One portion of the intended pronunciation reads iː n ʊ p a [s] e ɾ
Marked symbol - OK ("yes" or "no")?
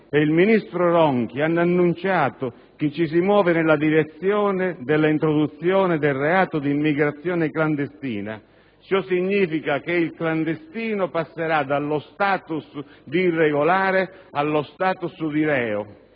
no